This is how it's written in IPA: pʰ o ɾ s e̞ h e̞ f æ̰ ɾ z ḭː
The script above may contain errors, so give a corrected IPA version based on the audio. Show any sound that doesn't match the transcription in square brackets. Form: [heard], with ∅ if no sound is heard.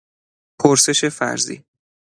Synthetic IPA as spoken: pʰ o ɾ s e̞ [ʃ] e̞ f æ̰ ɾ z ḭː